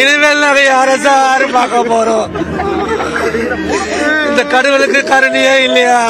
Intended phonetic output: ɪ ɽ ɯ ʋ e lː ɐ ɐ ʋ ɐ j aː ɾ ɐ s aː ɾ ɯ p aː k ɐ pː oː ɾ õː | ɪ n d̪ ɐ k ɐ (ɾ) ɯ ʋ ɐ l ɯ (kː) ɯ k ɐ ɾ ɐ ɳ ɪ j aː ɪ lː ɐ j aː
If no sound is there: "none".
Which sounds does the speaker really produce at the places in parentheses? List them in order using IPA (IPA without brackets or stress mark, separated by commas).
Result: ɽ, kː